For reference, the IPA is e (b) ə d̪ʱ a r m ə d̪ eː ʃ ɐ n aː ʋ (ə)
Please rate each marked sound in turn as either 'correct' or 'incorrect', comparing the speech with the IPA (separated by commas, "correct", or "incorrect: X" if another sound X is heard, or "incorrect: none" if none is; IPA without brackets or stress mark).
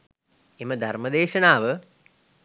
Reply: incorrect: m, correct